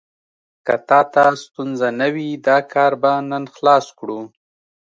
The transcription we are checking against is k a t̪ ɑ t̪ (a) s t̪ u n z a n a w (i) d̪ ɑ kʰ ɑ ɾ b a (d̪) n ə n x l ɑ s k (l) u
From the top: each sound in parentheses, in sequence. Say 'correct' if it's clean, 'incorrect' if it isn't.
correct, correct, incorrect, incorrect

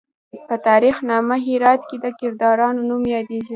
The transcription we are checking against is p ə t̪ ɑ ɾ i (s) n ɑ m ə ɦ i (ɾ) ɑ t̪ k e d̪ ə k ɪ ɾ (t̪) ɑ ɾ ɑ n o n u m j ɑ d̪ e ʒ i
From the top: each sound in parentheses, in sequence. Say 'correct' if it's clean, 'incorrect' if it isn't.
incorrect, correct, incorrect

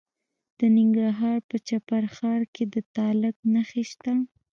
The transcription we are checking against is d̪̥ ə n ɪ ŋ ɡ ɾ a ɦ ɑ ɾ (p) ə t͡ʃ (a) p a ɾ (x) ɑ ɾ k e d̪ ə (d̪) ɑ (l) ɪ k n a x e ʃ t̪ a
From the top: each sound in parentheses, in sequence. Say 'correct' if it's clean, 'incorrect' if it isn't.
correct, correct, correct, incorrect, correct

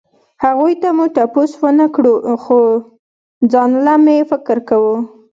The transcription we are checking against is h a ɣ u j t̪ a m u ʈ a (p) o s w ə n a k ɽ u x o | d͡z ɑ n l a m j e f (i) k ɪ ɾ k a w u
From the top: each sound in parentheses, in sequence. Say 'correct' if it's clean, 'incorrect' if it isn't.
correct, incorrect

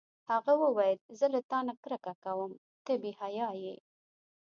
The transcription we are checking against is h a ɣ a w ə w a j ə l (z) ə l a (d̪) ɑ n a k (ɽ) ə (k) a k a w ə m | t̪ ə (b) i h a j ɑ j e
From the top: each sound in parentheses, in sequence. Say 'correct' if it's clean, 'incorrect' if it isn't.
correct, incorrect, incorrect, correct, correct

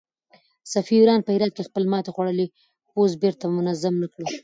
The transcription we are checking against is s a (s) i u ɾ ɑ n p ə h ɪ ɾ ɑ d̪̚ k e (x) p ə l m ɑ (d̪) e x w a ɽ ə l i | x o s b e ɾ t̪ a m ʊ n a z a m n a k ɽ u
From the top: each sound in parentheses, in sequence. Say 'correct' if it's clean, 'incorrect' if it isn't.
incorrect, correct, incorrect

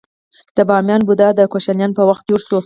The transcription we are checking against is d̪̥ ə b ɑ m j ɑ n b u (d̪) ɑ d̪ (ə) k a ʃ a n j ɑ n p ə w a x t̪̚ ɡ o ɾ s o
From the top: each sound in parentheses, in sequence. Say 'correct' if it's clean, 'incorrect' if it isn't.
correct, correct

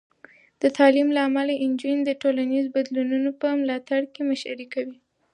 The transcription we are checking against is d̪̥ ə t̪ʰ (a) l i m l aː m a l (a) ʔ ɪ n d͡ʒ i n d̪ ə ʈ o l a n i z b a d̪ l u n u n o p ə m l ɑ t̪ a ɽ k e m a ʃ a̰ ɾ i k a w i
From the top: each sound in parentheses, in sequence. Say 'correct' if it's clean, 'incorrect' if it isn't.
incorrect, correct

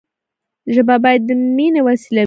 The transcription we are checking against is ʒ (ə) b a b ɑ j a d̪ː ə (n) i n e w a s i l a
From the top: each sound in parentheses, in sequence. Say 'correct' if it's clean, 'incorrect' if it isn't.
correct, incorrect

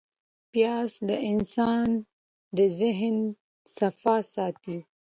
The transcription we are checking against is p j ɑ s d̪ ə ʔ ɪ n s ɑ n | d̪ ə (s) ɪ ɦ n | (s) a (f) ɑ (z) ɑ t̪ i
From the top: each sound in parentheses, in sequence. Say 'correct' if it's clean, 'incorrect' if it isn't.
incorrect, correct, correct, incorrect

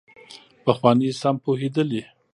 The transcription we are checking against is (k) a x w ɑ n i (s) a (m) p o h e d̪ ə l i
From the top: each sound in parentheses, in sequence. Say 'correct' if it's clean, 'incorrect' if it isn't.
incorrect, correct, correct

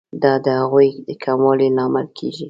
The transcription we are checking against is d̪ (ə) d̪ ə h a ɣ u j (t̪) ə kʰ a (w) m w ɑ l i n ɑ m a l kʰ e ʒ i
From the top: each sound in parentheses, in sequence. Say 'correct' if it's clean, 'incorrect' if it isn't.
incorrect, incorrect, incorrect

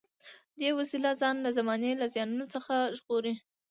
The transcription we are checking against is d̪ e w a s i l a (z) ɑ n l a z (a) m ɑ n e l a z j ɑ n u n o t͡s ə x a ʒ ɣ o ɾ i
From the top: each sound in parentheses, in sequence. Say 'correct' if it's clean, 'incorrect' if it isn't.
correct, correct

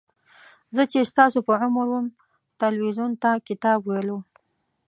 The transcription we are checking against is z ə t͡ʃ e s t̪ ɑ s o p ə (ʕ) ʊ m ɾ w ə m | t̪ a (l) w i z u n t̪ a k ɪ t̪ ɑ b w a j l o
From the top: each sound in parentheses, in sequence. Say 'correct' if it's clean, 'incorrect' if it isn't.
correct, correct

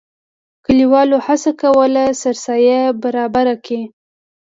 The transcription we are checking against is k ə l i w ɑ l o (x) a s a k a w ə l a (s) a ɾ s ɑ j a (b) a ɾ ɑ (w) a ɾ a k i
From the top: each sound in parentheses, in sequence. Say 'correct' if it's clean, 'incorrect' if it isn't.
incorrect, correct, correct, incorrect

